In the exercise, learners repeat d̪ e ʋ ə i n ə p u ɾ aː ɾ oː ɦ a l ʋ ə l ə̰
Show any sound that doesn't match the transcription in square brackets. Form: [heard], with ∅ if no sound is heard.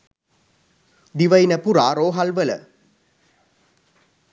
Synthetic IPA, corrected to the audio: d̪ [i] ʋ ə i n ə p u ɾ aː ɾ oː ɦ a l ʋ ə l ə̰